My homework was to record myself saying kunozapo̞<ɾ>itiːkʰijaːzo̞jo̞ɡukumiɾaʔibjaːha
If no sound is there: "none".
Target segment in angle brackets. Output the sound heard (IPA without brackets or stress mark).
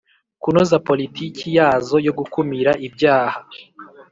l